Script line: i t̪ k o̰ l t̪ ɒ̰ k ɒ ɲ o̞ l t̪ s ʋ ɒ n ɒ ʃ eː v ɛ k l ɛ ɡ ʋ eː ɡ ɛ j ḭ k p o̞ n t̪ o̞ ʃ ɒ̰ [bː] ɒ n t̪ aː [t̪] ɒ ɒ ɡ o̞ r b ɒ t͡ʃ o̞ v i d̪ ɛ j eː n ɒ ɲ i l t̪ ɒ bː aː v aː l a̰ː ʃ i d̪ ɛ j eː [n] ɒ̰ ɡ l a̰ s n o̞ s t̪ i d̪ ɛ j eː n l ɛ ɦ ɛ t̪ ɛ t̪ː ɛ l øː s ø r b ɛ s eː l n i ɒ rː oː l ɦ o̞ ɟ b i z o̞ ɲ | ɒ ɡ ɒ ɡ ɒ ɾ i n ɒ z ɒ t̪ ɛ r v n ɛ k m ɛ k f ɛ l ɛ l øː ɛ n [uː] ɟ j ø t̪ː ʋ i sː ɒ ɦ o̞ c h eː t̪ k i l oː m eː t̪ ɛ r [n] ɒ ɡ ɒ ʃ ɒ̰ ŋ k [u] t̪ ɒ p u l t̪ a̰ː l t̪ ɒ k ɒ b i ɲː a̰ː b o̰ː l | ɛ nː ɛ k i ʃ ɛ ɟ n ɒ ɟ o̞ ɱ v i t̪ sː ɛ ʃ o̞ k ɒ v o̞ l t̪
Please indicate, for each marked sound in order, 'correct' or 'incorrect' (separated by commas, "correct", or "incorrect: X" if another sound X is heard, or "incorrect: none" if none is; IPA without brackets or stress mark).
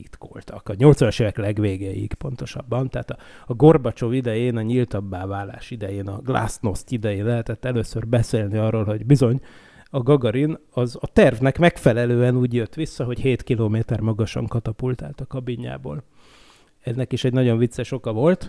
correct, correct, correct, correct, incorrect: m, incorrect: ɒ